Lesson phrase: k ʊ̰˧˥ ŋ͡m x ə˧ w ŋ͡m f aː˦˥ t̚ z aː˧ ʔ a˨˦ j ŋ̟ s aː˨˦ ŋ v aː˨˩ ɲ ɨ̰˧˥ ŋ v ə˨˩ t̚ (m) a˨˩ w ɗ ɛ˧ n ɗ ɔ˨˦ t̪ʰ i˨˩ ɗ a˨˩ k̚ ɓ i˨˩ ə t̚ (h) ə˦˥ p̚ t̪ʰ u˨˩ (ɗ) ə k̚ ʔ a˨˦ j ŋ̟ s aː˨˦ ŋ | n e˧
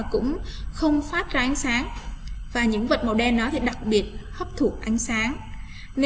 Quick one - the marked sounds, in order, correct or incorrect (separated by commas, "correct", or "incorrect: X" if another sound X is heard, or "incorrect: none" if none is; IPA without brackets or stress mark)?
correct, correct, incorrect: none